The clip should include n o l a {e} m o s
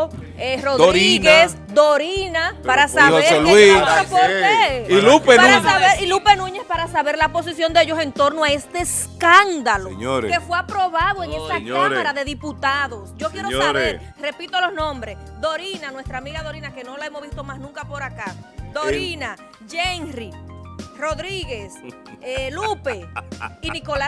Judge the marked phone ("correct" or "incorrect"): correct